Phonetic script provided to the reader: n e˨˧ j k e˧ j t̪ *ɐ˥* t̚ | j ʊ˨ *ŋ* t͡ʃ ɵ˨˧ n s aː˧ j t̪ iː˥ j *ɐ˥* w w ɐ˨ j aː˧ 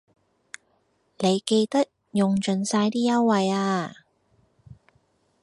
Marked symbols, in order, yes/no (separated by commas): yes, yes, yes